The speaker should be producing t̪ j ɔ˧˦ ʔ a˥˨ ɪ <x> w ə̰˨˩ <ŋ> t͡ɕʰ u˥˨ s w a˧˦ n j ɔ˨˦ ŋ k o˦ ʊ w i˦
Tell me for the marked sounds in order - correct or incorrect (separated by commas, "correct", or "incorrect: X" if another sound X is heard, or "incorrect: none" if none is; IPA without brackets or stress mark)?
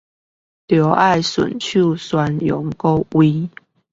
incorrect: s, incorrect: n